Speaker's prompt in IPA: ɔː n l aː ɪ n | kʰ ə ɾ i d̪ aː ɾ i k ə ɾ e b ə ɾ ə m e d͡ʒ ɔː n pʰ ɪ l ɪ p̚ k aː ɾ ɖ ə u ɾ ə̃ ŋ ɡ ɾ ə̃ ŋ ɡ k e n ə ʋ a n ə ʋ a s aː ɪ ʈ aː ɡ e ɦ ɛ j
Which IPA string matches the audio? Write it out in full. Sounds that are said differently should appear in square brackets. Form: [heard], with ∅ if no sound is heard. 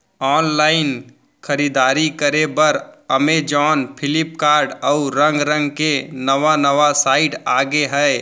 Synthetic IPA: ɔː n l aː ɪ n | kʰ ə ɾ i d̪ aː ɾ i k ə ɾ e b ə ɾ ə m e d͡ʒ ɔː n pʰ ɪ l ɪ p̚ k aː ɾ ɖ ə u ɾ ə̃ ŋ ɡ ɾ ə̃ ŋ ɡ k e n ə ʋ a n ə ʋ a s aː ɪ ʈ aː ɡ e ɦ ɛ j